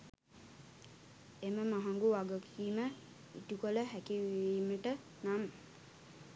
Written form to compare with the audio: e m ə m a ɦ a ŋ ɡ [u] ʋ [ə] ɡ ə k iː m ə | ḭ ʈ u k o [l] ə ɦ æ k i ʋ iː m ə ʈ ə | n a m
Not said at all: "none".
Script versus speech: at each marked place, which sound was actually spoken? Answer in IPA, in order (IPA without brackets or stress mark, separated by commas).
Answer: u, a, l